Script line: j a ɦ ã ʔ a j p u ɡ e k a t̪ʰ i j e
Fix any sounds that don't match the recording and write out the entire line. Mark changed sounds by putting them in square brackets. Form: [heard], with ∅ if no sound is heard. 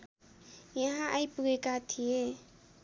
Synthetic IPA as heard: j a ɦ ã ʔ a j p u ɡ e k a t̪ʰ i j e